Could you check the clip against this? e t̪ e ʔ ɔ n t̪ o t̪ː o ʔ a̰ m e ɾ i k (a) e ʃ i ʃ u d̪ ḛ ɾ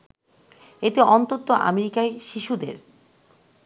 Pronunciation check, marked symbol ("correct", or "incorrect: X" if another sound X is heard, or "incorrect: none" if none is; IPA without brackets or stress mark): correct